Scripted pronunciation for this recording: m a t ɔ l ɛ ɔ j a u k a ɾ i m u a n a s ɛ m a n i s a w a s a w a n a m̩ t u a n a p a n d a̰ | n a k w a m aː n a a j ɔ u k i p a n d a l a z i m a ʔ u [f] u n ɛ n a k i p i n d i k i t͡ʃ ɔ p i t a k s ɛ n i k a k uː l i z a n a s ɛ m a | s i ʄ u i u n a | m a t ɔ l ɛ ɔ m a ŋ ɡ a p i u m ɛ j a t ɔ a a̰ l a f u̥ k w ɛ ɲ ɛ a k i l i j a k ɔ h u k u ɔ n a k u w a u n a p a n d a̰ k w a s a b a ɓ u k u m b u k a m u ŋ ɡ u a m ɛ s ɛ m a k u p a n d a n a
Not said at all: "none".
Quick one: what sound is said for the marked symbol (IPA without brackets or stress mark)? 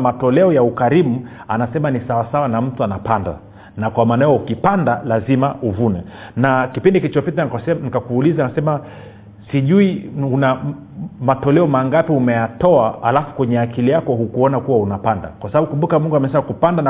v